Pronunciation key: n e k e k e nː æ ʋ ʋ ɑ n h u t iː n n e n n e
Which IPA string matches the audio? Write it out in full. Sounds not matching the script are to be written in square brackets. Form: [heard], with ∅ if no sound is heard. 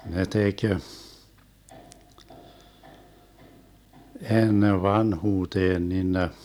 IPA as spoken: n e [t] e k e nː [e] ʋ ʋ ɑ n h [uː] t [eː] n n [i] n n e

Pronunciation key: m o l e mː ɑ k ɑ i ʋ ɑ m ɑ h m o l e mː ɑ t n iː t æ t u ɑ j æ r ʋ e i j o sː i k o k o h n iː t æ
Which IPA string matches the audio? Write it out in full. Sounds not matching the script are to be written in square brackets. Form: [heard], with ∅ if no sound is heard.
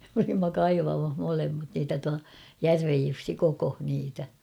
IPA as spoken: m o l [i] mː ɑ k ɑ i ʋ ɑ m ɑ h m o l e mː ɑ t n iː t æ t u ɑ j æ r ʋ e [j] j [u] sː i k o k o h n iː t æ

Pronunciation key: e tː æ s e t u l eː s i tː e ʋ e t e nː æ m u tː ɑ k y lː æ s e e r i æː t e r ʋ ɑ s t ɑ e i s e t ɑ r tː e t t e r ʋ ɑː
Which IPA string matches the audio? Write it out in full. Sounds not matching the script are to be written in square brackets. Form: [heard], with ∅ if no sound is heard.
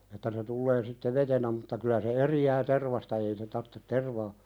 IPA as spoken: e tː æ s e t u [lː] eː s i tː e ʋ e t e [n] æ m u tː ɑ k y [l] æ s e e r i æː t e r ʋ ɑ s t ɑ e i s e t ɑ r tː e t t e r ʋ ɑː

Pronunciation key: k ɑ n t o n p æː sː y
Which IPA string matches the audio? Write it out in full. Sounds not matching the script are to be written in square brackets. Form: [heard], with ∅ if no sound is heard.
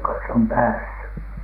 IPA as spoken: k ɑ n [s] o [m] p æː sː y

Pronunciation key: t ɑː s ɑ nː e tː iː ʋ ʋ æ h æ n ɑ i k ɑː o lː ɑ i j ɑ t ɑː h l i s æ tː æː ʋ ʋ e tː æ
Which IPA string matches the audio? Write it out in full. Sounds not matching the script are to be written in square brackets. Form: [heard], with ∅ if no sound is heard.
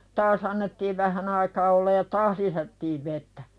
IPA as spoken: t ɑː s ɑ nː e tː iː ʋ ʋ æ h æ n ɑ i k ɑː o lː ɑ [j] j ɑ t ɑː h l i s æ tː [iː] ʋ ʋ e tː æ

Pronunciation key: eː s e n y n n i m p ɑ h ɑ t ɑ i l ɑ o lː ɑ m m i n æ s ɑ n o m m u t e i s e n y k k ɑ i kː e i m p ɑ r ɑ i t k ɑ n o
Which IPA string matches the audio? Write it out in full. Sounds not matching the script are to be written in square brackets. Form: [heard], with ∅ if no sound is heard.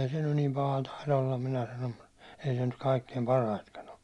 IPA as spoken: eː s e n y n n i m p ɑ h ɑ t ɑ i l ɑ o lː ɑ m m i n æ s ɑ n o m m u t e i s e n y [t] k ɑ i kː e i m p ɑ r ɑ i t k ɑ n o

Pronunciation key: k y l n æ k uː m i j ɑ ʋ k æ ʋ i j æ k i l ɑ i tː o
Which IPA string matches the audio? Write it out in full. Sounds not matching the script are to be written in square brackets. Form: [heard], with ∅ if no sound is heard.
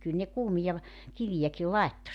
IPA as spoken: k y l n [e] k uː m i j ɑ ʋ k [i] ʋ i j æ k i l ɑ [e] tː o

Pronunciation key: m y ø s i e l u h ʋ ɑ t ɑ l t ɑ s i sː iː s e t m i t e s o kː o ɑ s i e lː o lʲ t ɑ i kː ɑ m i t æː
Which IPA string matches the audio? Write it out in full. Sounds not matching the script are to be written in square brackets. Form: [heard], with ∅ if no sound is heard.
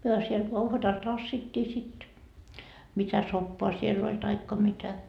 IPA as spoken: m y ø s i e l u h ʋ ɑ t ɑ l t ɑ [sː] i [tː] iː s [i] t m i t [æ] s o [pː] o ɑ s i e lː o lʲ t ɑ i kː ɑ m i t [æ]

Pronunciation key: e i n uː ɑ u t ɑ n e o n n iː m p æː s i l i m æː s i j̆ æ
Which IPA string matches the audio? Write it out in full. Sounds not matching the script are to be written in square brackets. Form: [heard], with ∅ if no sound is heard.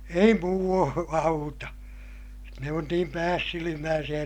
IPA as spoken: e i [m] uː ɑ u t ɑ n e o n n iː m p æː [sː] i l i m æː s i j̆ æ

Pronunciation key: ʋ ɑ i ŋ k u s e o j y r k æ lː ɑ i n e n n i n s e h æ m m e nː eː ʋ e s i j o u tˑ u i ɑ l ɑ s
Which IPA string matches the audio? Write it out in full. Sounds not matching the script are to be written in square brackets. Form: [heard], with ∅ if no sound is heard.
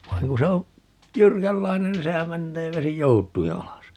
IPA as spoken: ʋ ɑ i ŋ k u s e o j y r k æ lː ɑ i n e n n i n s e h æ m m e nː eː ʋ e s i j o u tˑ u i ɑ l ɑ s

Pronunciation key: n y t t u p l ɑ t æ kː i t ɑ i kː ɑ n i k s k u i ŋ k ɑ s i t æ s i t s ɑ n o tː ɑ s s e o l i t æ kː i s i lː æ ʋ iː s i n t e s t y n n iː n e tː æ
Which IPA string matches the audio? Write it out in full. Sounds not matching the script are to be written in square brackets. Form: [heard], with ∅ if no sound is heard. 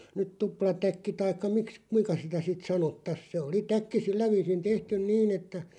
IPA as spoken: n y t t u p l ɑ t æ kː i t ɑ i kː ɑ [m] i k s k u i ŋ k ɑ s i t æ s i t s ɑ n o tː ɑ s s e o l i t æ kː i s i lː æ ʋ iː s i n t e [h] t y n n iː n e tː æ

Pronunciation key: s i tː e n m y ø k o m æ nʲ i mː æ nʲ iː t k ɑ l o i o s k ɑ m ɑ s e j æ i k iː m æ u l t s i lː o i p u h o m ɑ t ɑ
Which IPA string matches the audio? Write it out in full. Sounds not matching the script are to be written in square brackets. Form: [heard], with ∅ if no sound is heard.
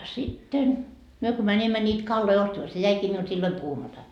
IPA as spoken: s i tː e n m y ø k o m æ nʲ i mː æ nʲ iː t k ɑ [lː] o i o s [t] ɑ m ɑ s e j æ i k iː m [i] u l t s i lː o i p u h [u] m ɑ t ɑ

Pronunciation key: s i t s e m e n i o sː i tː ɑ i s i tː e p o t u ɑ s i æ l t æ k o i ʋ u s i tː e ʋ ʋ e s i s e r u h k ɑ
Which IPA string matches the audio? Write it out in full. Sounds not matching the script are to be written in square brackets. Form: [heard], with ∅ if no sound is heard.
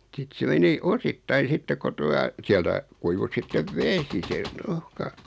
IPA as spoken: s i t s e m e n i o [s] i tː ɑ i s i tː e [k] o t u ɑ s i æ l t æ k [u] i ʋ u s i tː e ʋ ʋ e s i s e r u h k ɑ

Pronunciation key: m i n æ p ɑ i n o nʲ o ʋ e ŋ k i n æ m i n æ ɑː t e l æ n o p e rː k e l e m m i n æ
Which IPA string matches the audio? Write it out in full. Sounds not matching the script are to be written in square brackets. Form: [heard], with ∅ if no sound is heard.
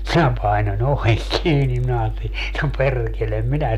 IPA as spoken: m i n æ p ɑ i n o nʲ o ʋ e ŋ k [iː] n [i] m i n æ ɑː t e l [i] n o p e rː k e l e m m i n æ

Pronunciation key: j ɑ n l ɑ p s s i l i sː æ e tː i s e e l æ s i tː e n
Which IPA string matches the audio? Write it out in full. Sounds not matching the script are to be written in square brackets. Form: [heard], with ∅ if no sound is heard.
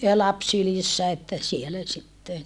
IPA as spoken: j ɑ [∅] l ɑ p s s [y] l i sː æ e tː [æ] s [i] e l æ s i tː e n

